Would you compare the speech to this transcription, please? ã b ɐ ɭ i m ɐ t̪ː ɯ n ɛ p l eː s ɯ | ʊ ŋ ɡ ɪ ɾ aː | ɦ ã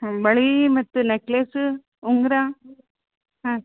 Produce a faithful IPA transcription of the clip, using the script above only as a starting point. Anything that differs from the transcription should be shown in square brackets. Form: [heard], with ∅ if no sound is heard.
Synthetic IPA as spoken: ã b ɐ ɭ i m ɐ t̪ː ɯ n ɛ [k] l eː s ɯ | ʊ ŋ ɡ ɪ ɾ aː | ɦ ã